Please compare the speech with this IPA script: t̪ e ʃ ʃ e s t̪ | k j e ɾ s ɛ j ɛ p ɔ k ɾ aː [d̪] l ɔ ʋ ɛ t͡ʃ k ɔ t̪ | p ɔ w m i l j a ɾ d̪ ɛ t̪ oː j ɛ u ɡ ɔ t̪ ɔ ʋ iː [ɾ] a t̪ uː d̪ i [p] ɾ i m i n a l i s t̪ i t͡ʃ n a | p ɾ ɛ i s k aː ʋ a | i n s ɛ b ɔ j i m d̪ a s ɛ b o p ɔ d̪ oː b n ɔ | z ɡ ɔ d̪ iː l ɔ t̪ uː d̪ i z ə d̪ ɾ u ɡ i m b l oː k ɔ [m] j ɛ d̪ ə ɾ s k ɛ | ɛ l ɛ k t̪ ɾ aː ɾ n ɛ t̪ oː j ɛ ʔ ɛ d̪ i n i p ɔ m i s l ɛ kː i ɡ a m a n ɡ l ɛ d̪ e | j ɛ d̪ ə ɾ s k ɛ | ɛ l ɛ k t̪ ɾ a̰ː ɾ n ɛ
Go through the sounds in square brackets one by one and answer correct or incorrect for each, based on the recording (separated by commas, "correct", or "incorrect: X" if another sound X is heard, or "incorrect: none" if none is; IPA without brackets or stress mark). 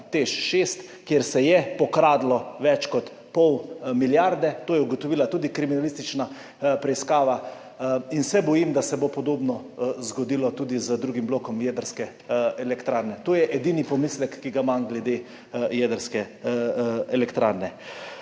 correct, incorrect: l, incorrect: k, correct